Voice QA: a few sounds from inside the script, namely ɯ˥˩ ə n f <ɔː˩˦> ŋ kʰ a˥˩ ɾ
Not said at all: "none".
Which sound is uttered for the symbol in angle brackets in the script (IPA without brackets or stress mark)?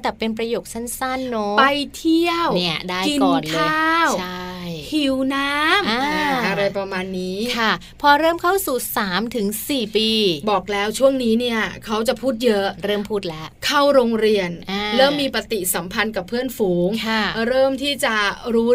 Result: uː˩˦